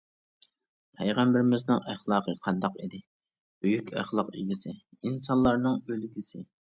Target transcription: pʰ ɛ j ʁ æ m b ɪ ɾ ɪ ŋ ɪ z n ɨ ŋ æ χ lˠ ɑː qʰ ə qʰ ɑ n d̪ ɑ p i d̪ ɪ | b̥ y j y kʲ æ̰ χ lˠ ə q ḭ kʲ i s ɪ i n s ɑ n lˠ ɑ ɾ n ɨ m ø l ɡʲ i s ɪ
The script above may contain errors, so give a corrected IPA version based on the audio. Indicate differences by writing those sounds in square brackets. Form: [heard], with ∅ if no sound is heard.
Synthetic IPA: pʰ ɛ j ʁ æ m b ɪ ɾ ɪ [m] ɪ z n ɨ ŋ æ χ lˠ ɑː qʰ ə qʰ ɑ n d̪ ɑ [q] i d̪ ɪ | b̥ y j y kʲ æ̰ χ lˠ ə q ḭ [ɡʲ] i s ɪ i n s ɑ n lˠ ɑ ɾ n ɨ [ŋ] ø l ɡʲ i s ɪ